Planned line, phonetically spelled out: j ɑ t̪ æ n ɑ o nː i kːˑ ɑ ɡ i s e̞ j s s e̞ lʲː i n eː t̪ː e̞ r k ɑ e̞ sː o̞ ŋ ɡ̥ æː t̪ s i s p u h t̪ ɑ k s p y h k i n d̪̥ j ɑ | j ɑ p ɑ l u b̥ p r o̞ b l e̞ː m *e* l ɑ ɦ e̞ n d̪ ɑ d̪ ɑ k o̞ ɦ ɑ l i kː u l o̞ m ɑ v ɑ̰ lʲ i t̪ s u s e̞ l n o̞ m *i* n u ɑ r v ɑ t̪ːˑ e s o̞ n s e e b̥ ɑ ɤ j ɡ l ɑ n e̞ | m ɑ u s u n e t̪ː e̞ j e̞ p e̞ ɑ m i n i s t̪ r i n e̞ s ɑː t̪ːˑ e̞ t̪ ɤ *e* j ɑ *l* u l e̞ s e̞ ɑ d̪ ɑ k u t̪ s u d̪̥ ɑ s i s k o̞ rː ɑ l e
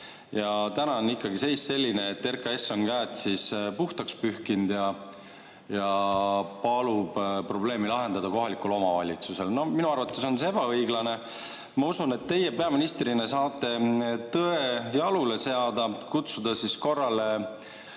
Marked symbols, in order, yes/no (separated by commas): no, yes, yes, yes